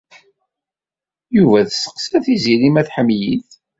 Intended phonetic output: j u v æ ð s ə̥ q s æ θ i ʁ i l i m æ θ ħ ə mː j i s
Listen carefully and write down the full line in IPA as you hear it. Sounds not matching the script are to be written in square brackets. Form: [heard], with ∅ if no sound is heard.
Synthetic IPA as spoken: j u v æ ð s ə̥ q s æ θ i [z] i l i m æ θ ħ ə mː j i [θ]